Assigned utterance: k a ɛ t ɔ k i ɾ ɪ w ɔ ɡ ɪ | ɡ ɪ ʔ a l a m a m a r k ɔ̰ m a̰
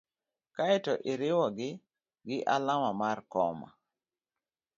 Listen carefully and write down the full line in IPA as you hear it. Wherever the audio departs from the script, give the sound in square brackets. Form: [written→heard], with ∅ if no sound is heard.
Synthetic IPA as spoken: k a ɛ t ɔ [k→ʔ] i ɾ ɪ w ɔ ɡ ɪ | ɡ ɪ ʔ a l a m a m a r k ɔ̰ m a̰